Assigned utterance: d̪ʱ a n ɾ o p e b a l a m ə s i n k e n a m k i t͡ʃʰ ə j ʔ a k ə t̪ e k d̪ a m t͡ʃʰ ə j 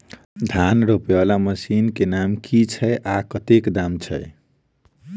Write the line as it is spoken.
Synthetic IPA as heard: d̪ʱ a n ɾ o p e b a l a m ə s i n k e n a m k i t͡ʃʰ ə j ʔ a k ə t̪ e k d̪ a m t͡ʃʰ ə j

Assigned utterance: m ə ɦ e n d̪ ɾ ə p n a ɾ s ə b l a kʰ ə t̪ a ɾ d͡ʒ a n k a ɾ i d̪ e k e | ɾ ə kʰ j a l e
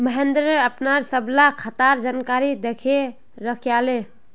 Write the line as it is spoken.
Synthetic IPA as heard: m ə ɦ e n d̪ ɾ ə p n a ɾ s ə b l a kʰ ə t̪ a ɾ d͡ʒ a n k a ɾ i d̪ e kʰ e | ɾ ə kʰ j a l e

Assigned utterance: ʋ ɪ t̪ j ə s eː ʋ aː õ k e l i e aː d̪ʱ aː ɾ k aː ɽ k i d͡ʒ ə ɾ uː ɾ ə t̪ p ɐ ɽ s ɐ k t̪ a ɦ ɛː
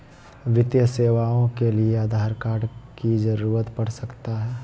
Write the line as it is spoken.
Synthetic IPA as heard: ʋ ɪ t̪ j ə s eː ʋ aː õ k e l i e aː d̪ʱ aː ɾ k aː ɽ k i d͡ʒ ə ɾ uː ɾ ə t̪ p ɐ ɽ s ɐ k t̪ a ɦ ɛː

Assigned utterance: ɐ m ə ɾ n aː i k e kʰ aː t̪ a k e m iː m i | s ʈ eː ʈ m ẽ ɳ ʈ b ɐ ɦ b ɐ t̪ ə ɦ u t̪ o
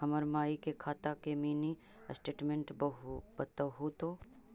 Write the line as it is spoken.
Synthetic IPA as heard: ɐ m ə ɾ m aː i k e kʰ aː t̪ a k e m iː n i | s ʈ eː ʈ m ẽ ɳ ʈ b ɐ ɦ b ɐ t̪ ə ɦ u t̪ o

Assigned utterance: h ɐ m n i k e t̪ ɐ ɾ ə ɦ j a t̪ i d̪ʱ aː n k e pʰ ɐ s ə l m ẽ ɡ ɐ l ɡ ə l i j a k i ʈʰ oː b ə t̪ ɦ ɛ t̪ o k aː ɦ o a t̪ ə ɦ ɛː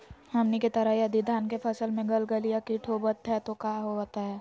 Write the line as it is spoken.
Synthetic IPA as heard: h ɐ m n i k e t̪ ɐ ɾ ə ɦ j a d̪ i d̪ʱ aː n k e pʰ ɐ s ə l m ẽ ɡ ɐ l ɡ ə l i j a k i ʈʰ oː b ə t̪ ɦ ɛ t̪ o k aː ɦ o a t̪ a ɦ ɛː

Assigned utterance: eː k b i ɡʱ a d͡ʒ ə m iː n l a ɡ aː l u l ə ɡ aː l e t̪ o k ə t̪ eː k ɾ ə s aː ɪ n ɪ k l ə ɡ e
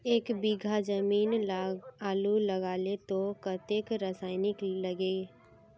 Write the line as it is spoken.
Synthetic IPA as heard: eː k b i ɡʱ a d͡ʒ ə m iː n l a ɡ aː l u l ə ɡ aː l e t̪ o k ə t̪ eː k ɾ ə s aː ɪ n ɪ k l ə ɡ e

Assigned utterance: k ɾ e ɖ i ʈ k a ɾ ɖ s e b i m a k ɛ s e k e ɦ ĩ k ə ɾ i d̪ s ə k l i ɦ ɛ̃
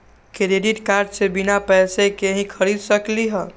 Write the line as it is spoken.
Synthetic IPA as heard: k ɾ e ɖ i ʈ k a ɾ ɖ s e b i n a p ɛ s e k e ɦ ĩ kʰ ə ɾ i d̪ s ə k l i ɦ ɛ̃

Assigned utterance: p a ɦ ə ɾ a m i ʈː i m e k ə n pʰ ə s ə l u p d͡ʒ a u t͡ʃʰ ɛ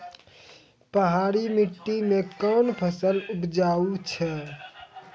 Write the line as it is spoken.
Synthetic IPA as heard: p ə ɦ a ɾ i m i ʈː i m e k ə n pʰ ə s ə l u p d͡ʒ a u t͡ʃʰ ɛ

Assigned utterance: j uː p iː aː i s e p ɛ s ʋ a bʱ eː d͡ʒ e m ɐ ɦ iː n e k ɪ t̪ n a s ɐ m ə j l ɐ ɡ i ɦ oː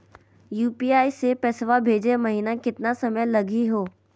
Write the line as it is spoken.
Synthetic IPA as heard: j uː p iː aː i s e p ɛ s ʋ a bʱ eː d͡ʒ e m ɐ ɦ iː n a k ɪ t̪ n a s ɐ m ə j l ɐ ɡ i ɦ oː

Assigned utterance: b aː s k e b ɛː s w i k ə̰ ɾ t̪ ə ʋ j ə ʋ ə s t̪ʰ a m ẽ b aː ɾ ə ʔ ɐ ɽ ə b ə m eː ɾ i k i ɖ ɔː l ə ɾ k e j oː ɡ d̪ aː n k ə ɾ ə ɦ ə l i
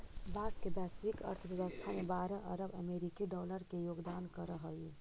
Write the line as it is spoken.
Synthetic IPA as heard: b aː s k e b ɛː s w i k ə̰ ɾ t̪ʰ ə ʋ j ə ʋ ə s t̪ʰ a m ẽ b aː ɾ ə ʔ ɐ ɾ ə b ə m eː ɾ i k i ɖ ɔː l ə ɾ k e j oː ɡ d̪ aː n k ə ɾ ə ɦ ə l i

